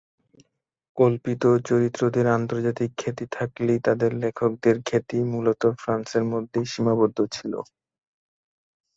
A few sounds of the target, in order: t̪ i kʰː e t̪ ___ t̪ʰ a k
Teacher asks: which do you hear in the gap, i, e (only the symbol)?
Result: i